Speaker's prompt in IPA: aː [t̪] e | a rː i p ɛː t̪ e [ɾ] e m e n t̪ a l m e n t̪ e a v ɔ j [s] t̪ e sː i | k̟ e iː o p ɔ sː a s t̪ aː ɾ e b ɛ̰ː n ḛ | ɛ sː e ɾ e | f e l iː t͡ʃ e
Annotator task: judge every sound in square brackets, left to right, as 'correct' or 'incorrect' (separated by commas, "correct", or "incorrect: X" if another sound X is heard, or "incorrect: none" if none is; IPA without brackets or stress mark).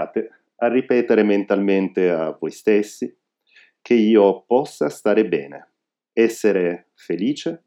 correct, correct, correct